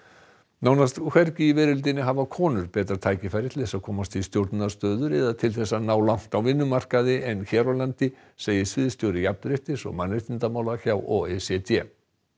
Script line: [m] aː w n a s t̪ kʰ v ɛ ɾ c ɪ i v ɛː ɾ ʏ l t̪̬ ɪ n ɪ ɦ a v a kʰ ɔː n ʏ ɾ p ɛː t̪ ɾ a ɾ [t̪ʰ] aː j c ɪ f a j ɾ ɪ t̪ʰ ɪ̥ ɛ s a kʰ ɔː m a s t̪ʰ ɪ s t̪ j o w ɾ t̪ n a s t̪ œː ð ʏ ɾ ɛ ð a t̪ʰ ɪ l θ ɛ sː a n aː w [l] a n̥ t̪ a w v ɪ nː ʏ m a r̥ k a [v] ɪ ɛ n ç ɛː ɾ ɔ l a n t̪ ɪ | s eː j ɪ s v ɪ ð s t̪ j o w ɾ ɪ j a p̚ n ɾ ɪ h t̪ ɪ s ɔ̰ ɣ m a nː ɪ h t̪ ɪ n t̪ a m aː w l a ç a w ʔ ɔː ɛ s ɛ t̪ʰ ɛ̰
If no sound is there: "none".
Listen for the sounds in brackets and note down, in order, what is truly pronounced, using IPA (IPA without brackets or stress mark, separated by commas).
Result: n, t̪ʰ, l, ð